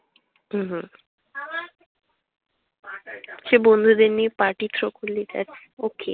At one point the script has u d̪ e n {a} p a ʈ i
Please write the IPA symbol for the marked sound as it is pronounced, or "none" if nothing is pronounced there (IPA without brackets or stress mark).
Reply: i